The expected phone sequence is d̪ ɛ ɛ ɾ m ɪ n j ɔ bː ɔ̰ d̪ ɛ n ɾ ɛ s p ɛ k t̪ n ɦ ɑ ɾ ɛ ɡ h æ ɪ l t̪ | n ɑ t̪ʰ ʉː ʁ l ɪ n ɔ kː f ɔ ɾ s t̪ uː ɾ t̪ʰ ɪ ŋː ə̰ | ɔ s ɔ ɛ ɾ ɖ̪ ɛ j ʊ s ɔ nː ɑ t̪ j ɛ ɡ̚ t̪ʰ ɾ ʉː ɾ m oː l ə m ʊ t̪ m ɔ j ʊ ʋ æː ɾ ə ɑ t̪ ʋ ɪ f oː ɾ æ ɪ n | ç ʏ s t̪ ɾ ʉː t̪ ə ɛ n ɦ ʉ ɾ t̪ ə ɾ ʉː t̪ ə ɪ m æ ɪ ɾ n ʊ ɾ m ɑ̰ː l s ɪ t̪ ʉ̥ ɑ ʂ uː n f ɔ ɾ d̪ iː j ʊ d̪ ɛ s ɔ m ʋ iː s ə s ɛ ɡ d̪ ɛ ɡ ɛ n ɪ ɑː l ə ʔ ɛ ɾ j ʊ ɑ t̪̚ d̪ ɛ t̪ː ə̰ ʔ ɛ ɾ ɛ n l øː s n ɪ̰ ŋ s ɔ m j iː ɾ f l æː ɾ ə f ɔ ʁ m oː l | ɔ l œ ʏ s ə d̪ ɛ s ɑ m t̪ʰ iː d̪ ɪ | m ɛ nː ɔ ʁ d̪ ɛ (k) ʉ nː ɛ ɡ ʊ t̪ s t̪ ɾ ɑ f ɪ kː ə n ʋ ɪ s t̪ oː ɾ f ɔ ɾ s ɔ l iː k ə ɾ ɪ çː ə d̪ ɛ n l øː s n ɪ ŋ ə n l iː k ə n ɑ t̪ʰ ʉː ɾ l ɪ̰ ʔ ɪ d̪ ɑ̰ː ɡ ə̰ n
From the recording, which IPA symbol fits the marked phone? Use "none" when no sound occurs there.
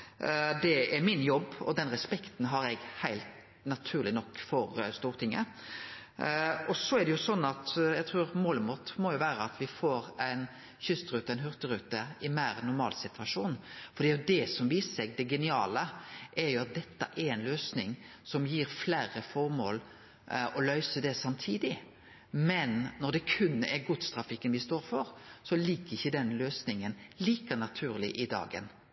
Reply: kʰ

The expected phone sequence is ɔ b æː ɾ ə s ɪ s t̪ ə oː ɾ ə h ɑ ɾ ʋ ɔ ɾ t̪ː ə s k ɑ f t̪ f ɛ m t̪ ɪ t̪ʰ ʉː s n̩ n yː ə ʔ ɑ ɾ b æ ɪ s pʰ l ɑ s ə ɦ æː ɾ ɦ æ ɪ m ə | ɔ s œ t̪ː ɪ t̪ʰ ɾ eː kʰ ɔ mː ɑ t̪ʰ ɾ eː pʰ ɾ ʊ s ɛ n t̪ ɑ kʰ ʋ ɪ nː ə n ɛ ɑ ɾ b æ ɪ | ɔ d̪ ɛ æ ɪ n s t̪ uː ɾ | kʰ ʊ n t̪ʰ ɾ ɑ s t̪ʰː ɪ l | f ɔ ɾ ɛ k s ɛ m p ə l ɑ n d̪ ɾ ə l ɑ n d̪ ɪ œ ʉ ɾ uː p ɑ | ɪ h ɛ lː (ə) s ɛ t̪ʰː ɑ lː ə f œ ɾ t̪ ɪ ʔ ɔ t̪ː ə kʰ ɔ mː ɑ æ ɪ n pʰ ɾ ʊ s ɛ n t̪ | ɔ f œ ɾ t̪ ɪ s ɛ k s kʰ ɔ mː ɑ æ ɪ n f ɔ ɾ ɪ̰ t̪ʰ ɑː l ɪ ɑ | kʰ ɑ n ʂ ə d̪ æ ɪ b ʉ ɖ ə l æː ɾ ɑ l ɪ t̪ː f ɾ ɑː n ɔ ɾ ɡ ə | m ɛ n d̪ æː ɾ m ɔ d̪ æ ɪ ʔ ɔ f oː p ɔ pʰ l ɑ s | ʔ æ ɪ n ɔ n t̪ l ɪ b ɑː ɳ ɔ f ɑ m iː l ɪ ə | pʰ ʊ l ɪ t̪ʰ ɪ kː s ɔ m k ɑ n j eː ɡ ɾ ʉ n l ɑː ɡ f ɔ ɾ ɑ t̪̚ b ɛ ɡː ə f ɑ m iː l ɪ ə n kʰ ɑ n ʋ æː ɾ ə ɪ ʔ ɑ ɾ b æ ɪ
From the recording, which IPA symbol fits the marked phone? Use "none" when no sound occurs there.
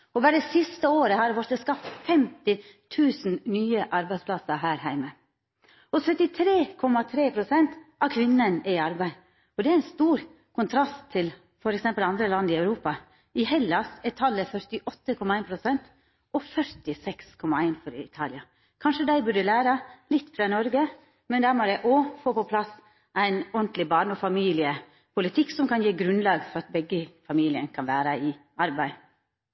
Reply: ɑ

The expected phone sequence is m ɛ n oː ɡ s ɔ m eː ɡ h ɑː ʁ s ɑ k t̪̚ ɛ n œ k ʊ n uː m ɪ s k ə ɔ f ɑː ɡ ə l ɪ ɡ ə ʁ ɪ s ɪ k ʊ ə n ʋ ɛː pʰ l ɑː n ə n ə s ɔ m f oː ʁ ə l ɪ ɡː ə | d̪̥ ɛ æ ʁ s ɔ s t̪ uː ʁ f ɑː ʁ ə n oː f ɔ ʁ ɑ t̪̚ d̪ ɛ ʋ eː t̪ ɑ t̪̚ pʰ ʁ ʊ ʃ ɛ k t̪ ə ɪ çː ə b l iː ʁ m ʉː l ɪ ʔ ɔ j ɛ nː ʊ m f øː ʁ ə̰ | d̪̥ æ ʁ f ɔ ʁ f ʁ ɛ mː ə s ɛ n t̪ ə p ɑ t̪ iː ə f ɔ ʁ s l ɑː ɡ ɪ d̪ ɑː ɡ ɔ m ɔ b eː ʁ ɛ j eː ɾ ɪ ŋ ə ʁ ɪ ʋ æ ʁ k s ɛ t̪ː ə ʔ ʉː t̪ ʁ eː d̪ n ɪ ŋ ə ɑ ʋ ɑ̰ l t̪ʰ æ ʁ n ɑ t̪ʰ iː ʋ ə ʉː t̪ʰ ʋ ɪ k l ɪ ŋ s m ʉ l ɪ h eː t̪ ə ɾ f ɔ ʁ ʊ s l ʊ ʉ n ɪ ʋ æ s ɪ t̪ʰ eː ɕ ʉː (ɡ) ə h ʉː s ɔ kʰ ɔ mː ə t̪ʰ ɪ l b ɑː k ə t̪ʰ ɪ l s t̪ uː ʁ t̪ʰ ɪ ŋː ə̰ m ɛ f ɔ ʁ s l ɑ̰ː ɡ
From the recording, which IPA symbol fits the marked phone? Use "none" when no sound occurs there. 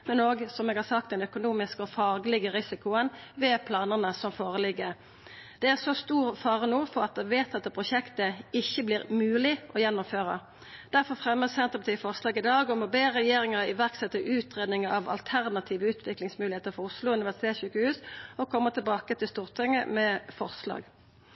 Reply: k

